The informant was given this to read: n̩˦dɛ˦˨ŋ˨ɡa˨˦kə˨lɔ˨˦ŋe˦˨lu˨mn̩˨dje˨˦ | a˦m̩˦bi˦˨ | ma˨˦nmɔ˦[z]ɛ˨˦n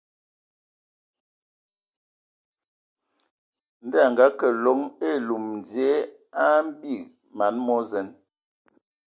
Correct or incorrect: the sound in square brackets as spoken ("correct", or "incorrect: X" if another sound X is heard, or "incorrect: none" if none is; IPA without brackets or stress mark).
correct